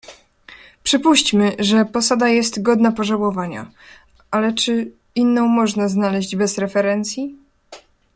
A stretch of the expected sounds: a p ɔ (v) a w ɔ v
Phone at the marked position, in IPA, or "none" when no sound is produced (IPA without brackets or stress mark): ʐ